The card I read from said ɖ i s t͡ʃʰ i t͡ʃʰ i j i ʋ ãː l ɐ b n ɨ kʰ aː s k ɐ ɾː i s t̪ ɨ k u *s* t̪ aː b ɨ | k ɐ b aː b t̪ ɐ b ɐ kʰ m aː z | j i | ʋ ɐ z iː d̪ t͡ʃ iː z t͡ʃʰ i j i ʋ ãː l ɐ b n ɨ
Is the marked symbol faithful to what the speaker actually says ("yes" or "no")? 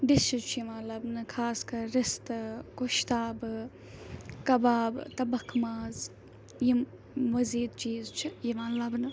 no